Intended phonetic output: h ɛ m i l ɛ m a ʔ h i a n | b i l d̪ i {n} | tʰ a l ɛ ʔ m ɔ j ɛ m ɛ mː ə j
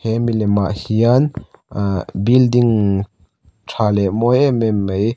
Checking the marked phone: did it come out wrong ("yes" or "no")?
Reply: yes